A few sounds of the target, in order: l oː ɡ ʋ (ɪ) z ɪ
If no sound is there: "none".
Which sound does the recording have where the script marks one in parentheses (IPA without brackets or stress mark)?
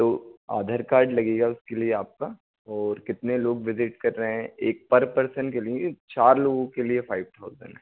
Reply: ɪ